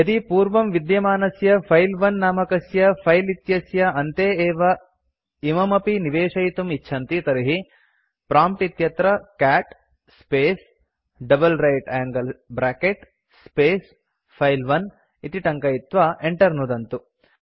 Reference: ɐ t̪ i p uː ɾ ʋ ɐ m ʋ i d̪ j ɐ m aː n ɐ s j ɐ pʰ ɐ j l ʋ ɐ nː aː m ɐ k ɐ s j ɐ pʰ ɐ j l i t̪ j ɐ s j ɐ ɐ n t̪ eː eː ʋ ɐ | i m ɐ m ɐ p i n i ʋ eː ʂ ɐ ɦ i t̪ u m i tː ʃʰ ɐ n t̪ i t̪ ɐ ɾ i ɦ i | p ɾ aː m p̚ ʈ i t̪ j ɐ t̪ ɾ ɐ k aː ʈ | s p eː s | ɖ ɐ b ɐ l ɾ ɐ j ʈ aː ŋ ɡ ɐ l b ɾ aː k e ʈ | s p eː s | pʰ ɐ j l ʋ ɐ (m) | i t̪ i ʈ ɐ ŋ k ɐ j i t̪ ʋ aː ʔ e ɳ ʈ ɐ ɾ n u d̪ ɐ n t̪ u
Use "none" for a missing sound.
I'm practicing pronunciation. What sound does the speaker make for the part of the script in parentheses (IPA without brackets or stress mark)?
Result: n